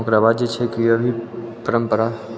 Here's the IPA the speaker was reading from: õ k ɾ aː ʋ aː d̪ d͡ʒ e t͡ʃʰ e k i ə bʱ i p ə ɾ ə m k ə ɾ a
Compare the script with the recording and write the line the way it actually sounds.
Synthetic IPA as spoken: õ k ɾ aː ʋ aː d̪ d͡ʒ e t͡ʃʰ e k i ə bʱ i p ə ɾ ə m p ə ɾ a

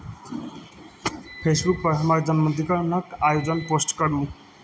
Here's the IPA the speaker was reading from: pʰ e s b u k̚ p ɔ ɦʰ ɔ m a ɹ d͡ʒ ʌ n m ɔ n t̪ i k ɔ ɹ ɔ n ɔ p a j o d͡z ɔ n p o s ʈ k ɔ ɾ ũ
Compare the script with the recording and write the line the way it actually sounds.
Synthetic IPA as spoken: pʰ e s b u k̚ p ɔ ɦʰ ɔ m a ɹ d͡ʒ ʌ n m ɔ n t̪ i k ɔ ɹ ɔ n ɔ k a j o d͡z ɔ n p o s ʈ k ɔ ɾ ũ

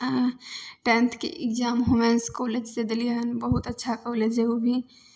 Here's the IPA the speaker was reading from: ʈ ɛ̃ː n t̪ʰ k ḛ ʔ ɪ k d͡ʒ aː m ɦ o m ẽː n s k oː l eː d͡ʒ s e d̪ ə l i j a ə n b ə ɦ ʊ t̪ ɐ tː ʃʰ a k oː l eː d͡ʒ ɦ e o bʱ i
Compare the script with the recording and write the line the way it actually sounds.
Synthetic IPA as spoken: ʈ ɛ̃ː n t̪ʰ k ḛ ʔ ɪ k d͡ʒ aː m ɦ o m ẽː n s k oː l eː d͡ʒ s e d̪ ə l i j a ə n b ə ɦ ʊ t̪ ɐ tː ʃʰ a k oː l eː d͡ʒ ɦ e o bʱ i

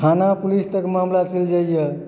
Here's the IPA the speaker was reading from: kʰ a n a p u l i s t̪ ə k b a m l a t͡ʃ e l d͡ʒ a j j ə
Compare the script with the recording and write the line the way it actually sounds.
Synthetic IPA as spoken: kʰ a n a p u l i s t̪ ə k m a m l a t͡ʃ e l d͡ʒ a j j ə

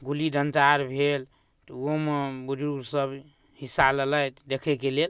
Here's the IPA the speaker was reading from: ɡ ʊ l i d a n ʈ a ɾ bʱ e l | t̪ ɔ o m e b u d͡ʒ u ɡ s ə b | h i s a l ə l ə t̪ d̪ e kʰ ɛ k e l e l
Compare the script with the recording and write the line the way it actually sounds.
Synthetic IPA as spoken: ɡ u l i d ə n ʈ a ɾ bʱ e l | t̪ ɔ o m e b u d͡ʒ u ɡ s ə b | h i s a l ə l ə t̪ d̪ e kʰ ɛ k e l e l

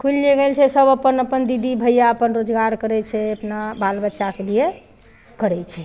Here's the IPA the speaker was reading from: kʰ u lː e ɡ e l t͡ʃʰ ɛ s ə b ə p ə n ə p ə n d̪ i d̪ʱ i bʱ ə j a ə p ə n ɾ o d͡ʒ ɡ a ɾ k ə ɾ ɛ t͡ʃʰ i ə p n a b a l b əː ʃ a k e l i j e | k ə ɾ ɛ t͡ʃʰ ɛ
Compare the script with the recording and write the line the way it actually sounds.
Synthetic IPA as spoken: kʰ u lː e ɡ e l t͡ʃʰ ɛ s ə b ə p ə n ə p ə n d̪ i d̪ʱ i bʱ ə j a ə p ə n ɾ o d͡ʒ ɡ a ɾ k ə ɾ ɛ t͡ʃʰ ɛ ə p n a b a l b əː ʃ a k e l i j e | k ə ɾ ɛ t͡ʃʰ ɛ

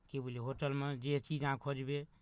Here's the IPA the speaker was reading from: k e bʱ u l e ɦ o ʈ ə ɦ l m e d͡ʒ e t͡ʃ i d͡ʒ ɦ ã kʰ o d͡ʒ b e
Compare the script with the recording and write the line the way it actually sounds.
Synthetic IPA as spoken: k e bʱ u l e ɦ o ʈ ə l m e d͡ʒ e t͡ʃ i d͡ʒ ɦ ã kʰ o d͡ʒ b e

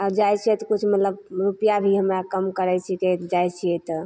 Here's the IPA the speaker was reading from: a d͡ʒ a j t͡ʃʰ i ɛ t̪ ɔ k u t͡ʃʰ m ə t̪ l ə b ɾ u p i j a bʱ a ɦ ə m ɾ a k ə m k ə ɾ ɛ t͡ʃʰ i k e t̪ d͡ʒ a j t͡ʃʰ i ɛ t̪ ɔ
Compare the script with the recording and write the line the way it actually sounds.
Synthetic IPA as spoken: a d͡ʒ a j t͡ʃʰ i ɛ t̪ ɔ k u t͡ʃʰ m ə t̪ l ə b ɾ u p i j a bʱ i ɦ ə m ɾ a k ə m k ə ɾ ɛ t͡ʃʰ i k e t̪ d͡ʒ a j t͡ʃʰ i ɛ t̪ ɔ

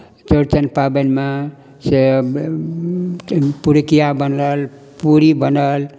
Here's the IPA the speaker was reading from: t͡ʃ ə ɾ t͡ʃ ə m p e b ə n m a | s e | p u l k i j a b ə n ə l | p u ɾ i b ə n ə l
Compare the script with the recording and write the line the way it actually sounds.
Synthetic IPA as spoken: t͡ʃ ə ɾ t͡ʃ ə n p a b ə n m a | s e | p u ɾ k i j a b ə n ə l | p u ɾ i b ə n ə l

